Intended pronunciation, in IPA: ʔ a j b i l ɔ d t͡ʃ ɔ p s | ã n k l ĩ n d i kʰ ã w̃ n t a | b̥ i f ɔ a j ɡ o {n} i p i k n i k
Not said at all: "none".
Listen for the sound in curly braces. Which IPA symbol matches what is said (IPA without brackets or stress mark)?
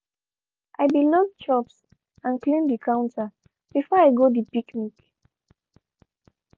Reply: d